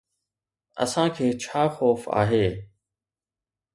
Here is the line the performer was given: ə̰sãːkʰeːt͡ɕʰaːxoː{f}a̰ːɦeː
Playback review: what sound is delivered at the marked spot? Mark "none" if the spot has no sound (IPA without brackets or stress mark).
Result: f